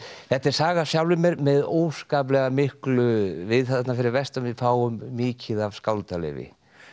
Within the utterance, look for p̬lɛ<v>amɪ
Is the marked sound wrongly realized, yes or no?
yes